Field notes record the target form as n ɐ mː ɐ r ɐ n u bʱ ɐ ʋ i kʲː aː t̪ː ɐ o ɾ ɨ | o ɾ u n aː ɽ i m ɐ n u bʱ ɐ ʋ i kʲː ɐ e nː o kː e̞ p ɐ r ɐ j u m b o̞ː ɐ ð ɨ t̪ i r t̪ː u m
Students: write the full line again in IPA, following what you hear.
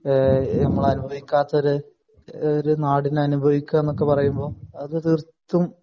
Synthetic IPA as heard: n ɐ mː ɐ ɭ ɐ n u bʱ ɐ ʋ i kʲː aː t̪ː ɐ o ɾ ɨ | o ɾ u n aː ɽ i n ɐ n u bʱ ɐ ʋ i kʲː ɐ e nː o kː e̞ p ɐ r ɐ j u m b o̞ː ɐ ð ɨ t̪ i r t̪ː u m